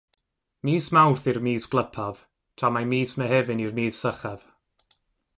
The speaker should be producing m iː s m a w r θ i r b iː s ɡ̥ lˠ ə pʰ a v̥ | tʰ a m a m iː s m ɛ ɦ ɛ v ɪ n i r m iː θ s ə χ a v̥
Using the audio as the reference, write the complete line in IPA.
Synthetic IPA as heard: m iː s m a w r θ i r m iː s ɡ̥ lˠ ə pʰ a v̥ | tʰ a m a m iː s m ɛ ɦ ɛ v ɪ n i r m iː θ s ə χ a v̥